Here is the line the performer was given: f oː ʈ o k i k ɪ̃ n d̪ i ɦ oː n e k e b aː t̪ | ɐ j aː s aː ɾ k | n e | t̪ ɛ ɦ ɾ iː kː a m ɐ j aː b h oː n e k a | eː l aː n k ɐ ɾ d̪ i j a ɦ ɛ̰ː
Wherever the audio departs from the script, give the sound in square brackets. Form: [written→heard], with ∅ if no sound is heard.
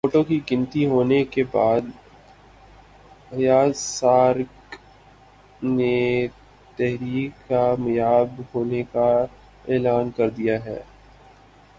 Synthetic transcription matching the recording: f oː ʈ o k i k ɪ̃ n [d̪→t̪] i ɦ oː n e k e b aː [t̪→d̪] | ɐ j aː s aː ɾ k | n e | t̪ ɛ ɦ ɾ iː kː a m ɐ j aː b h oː n e k a | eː l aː n k ɐ ɾ d̪ i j a ɦ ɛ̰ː